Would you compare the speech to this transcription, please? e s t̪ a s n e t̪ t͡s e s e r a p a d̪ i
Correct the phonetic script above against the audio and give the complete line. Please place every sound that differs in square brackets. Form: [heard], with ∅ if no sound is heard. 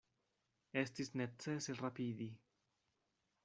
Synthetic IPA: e s t̪ [i] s n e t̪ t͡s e s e r a p [i] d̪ i

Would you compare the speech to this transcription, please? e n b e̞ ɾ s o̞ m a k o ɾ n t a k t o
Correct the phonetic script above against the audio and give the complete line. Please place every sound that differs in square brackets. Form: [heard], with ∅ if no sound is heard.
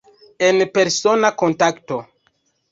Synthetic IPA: e n [p] e̞ ɾ s o̞ [n] a k o [∅] n t a k t o

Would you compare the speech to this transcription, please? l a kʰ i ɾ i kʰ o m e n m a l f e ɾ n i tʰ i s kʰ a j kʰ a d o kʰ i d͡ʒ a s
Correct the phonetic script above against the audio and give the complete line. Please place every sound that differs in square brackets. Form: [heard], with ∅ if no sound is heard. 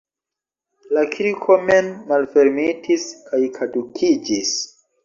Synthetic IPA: l a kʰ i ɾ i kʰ o m e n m a l f e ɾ [m] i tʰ i s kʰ a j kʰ a d [u] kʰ i d͡ʒ [i] s

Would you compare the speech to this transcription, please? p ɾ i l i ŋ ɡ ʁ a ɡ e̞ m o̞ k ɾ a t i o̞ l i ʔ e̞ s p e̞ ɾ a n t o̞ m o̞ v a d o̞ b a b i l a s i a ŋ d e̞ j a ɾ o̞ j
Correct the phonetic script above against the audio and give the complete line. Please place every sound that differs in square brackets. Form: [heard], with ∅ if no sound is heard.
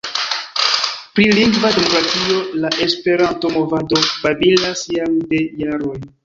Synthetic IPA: p ɾ i l i ŋ ɡ [v] a [d] e̞ m o̞ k ɾ a t i o̞ l [a] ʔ e̞ s p e̞ ɾ a n t o̞ m o̞ v a d o̞ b a b i l a s [j] a ŋ d e̞ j a ɾ o̞ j

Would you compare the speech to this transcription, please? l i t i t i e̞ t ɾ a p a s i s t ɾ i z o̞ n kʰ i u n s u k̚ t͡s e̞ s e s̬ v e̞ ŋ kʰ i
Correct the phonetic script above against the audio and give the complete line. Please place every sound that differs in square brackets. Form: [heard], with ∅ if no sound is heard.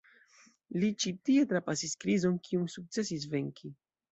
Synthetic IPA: l i [t͡ʃ] i t i e̞ t ɾ a p a s i s [k] ɾ i z o̞ n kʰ i u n s u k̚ t͡s e̞ s [i] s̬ v e̞ ŋ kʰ i

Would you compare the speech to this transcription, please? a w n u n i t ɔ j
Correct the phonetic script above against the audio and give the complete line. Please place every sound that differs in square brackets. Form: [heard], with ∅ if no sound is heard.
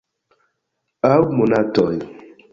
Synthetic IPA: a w [m] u n [a] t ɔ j

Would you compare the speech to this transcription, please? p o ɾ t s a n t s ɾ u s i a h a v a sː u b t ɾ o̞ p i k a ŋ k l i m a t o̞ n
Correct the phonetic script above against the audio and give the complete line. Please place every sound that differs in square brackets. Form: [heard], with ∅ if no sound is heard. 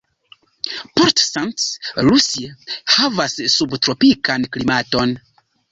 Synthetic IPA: p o ɾ t s a n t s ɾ u s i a h a v a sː u b t ɾ o̞ p i k a [n] k l i m a t o̞ n

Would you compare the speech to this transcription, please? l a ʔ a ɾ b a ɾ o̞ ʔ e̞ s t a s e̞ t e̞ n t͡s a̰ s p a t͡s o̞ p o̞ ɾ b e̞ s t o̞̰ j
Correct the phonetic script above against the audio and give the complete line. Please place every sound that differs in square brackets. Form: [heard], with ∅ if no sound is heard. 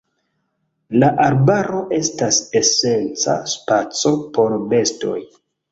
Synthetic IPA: l a ʔ a ɾ b a ɾ o̞ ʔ e̞ s t a s e̞ [s] e̞ n t͡s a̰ s p a t͡s o̞ p o̞ ɾ b e̞ s t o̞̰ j

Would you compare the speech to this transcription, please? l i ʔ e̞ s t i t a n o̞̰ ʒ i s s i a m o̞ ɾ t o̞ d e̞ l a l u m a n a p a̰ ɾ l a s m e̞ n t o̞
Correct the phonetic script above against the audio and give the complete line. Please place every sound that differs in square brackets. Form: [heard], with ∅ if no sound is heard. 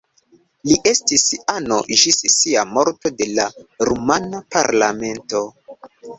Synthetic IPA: l i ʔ e̞ s t i [s] a n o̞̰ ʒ i s s i a m o̞ ɾ t o̞ d e̞ l a [ɾ] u m a n a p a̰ ɾ l a [∅] m e̞ n t o̞

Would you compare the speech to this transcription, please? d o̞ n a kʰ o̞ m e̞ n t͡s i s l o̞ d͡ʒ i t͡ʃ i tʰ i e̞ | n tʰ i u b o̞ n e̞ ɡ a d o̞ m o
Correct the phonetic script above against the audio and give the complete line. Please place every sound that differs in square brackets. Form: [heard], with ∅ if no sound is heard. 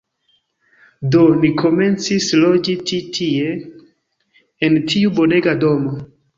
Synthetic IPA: d o̞ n [i] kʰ o̞ m e̞ n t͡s i s l o̞ d͡ʒ i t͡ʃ i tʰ i e̞ | n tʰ i u b o̞ n e̞ ɡ a d o̞ m o

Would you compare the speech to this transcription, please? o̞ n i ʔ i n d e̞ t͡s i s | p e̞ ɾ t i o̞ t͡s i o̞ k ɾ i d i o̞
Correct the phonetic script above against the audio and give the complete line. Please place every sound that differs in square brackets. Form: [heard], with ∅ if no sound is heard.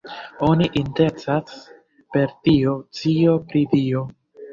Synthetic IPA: o̞ n i ʔ i n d e̞ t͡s [a] s | p e̞ ɾ t i o̞ t͡s i o̞ [p] ɾ i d i o̞

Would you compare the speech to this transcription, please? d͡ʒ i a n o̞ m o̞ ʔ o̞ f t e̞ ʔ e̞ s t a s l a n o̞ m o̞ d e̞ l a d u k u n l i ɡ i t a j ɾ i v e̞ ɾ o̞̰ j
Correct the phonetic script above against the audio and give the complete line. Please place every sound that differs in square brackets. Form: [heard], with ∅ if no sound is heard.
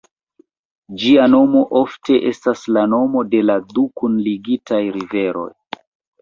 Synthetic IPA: d͡ʒ i a n o̞ m o̞ ʔ o̞ f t e̞ ʔ e̞ s t a s l a n o̞ m o̞ d e̞ l a d u k u n l i ɡ i t a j ɾ i v e̞ ɾ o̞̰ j

